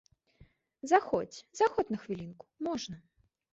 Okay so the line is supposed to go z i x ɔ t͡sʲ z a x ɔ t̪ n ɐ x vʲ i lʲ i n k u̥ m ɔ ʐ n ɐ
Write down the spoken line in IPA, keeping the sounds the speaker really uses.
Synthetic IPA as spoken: z a x ɔ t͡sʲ z a x ɔ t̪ n ɐ x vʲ i lʲ i n k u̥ m ɔ ʐ n ɐ